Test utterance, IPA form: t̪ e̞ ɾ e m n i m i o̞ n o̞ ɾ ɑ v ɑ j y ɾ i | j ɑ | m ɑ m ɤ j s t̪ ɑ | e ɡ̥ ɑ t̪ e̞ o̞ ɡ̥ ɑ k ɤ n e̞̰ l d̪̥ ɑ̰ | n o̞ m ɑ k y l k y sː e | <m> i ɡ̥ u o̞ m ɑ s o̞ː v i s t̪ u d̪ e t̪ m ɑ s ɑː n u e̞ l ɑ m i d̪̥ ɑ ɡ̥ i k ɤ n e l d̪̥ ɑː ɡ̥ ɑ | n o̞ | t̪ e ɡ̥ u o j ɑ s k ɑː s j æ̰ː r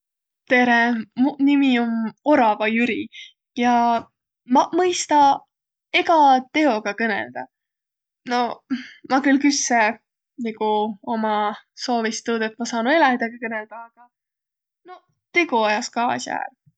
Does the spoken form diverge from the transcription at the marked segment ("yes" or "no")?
yes